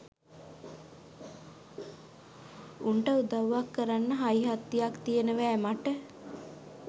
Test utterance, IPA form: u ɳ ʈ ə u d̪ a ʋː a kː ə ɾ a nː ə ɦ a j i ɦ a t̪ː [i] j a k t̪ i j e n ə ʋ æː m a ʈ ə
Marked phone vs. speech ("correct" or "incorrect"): correct